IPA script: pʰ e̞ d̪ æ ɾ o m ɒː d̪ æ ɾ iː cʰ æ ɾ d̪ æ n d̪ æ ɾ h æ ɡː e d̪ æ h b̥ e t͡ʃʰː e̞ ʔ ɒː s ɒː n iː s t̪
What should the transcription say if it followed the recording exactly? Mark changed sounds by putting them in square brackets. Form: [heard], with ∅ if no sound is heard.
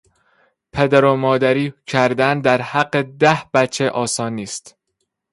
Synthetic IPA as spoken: pʰ e̞ d̪ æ ɾ o m ɒː d̪ æ ɾ iː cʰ æ ɾ d̪ æ n d̪ æ ɾ h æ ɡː e d̪ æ h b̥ [æ] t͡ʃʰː e̞ ʔ ɒː s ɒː n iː s t̪